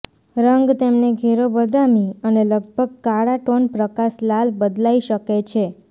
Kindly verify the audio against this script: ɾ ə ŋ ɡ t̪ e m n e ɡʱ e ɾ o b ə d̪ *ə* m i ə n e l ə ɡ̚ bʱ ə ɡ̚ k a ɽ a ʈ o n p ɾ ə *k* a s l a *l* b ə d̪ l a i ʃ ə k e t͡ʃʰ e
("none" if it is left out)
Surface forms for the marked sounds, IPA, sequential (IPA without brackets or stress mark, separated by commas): a, k, l